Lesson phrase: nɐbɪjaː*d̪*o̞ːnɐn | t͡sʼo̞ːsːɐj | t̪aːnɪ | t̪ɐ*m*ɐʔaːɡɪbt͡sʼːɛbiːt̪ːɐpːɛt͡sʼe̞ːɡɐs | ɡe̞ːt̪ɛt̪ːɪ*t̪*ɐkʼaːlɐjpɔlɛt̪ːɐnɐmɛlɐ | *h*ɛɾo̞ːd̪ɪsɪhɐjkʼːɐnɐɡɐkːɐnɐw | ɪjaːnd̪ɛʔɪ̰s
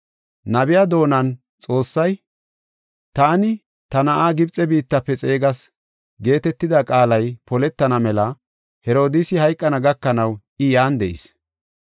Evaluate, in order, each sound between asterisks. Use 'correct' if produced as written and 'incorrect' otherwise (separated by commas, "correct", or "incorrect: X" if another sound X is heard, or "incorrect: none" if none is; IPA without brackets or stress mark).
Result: correct, incorrect: n, incorrect: d̪, correct